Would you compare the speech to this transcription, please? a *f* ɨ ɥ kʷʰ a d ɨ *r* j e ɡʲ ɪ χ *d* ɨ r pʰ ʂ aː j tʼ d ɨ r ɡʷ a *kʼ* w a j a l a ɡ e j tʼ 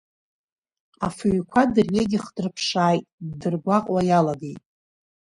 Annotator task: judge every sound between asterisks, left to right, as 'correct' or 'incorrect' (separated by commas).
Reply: correct, correct, correct, incorrect